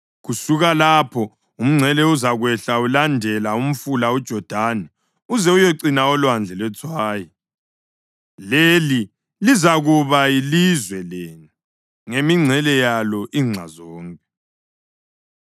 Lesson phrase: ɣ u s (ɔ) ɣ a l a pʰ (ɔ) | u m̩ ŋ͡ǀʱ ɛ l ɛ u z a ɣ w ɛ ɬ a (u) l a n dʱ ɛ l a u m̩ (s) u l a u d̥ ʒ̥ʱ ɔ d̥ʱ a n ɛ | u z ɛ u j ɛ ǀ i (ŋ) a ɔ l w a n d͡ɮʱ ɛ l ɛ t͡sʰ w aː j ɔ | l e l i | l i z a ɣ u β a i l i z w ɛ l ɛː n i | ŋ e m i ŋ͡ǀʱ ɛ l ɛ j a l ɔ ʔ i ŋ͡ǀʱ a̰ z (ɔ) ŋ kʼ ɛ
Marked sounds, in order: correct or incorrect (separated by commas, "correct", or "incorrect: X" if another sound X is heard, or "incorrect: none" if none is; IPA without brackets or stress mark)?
incorrect: u, correct, correct, incorrect: f, incorrect: n, incorrect: ɔː